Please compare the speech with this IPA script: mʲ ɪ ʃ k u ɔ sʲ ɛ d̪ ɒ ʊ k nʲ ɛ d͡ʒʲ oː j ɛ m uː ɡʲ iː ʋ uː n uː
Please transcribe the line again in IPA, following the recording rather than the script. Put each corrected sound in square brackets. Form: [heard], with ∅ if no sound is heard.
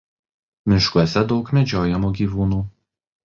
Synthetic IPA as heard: mʲ ɪ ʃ k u ɔ sʲ ɛ d̪ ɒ ʊ k [mʲ] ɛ d͡ʒʲ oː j ɛ m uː ɡʲ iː ʋ uː n uː